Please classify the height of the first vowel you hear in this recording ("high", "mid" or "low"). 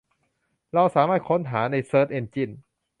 low